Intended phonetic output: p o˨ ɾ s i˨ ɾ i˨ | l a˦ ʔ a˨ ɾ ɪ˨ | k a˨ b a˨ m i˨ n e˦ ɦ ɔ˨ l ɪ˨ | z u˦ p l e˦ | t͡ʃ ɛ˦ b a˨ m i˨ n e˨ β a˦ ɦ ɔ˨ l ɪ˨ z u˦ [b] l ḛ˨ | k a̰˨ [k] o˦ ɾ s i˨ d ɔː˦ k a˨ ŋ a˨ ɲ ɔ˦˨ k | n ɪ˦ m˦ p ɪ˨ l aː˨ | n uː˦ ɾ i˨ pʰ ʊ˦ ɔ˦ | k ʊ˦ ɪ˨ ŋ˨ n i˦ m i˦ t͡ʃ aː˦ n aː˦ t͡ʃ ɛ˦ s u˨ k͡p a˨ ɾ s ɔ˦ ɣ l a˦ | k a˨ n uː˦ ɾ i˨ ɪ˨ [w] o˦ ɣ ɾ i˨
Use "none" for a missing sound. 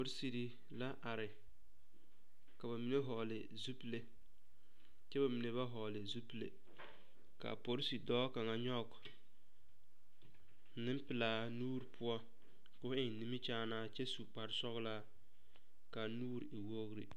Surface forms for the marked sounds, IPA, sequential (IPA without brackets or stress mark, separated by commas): p, p, w